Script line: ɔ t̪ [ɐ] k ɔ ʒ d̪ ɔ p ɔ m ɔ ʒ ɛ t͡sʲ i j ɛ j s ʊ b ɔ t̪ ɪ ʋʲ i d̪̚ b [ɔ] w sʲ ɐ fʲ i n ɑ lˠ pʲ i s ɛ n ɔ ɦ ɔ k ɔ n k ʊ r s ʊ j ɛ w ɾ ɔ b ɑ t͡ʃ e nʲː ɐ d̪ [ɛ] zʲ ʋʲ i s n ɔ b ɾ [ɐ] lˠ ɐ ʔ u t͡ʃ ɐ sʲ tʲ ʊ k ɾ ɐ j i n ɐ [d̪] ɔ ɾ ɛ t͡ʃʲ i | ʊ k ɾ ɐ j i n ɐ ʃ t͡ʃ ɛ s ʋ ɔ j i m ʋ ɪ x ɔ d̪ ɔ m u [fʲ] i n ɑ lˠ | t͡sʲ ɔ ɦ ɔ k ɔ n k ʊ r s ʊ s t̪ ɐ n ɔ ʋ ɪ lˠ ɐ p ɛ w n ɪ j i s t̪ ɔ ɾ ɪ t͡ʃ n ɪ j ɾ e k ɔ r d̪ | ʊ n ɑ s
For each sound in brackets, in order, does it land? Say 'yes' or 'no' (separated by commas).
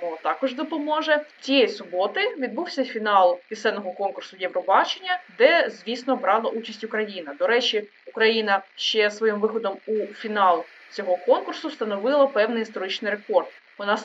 no, no, yes, no, yes, yes